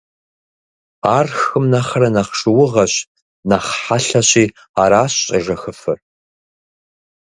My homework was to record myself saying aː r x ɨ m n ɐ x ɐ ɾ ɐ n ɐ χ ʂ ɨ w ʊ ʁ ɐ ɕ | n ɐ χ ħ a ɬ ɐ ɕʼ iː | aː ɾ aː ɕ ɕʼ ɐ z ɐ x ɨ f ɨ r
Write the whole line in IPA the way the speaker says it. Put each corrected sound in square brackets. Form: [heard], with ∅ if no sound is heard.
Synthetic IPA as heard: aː r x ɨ m n ɐ [χ] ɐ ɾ ɐ n ɐ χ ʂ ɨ w ʊ ʁ ɐ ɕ | n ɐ χ ħ a ɬ ɐ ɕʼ iː | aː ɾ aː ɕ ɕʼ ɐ [ʒ] ɐ x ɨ f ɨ r